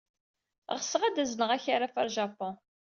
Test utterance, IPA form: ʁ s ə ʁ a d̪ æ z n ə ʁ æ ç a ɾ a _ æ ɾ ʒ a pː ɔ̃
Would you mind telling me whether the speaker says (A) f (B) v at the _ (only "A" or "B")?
A